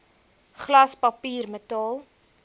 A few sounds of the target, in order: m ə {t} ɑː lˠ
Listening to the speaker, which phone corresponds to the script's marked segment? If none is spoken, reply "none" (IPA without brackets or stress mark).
t